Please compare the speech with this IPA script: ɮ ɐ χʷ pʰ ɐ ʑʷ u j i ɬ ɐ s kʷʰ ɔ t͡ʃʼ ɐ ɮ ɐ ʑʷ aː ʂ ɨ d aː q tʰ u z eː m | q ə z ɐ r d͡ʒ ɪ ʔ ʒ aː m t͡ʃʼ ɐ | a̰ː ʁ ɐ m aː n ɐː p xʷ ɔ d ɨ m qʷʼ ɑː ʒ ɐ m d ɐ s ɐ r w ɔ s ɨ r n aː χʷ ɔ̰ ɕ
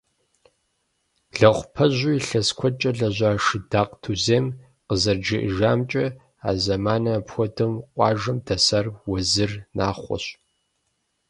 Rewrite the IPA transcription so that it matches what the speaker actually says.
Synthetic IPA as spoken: ɮ ɐ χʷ pʰ ɐ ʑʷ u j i ɬ ɐ s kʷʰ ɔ t͡ʃʼ ɐ ɮ ɐ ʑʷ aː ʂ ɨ d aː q tʰ u z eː m | q ə z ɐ r d͡ʒ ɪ ʔ ʒ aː m t͡ʃʼ ɐ | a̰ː z ɐ m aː n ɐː p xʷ ɔ d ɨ m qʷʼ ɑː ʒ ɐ m d ɐ s ɐ r w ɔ z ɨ r n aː χʷ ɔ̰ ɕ

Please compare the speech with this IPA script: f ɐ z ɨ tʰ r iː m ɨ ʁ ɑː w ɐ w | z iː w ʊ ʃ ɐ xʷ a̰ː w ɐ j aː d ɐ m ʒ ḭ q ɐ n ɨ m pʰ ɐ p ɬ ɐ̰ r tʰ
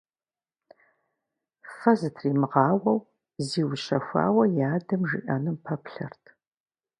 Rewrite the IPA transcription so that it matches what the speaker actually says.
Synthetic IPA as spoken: f ɐ z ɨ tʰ r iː m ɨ ʁ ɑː w ɐ w | z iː w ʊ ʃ ɐ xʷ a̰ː w ɐ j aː d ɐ m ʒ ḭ ʔ ɐ n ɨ m pʰ ɐ p ɬ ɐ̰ r tʰ

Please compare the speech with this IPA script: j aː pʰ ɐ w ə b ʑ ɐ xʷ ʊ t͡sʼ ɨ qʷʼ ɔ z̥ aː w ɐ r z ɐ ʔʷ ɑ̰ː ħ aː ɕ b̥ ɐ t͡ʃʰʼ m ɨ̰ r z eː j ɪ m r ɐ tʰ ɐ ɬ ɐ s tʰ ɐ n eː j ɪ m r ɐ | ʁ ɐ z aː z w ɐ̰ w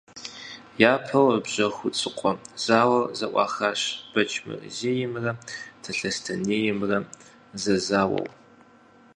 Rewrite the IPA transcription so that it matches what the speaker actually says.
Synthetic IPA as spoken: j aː pʰ ɐ w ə b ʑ ɐ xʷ ʊ t͡sʼ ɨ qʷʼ ɔ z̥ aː w ɐ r z ɐ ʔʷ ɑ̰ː x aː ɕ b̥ ɐ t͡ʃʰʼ m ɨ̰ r z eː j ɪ m r ɐ tʰ ɐ ɬ ɐ s tʰ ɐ n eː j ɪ m r ɐ | z ɐ z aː w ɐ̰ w

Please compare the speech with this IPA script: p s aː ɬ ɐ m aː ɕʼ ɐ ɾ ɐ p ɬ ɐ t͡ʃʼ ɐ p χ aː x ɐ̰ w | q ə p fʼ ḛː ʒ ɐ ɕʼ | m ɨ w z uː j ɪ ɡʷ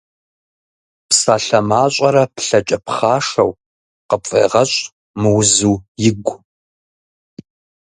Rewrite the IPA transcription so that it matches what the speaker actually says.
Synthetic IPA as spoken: p s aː ɬ ɐ m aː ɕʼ ɐ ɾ ɐ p ɬ ɐ t͡ʃʼ ɐ p χ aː ʂ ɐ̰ w | q ə p fʼ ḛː ʁ ɐ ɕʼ | m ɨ w z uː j ɪ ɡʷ

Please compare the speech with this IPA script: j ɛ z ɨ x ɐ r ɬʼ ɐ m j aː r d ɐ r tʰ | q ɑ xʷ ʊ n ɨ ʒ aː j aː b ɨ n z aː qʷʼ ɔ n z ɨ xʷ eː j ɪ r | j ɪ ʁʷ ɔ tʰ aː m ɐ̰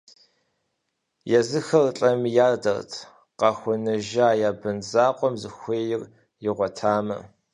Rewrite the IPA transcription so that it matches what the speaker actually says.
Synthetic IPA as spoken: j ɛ z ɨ x ɐ r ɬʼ ɐ m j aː r d ɐ r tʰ | q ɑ xʷ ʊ n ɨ ʒ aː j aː b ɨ n z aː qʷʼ ɔ m z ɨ xʷ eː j ɪ r | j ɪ ʁʷ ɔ tʰ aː m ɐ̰

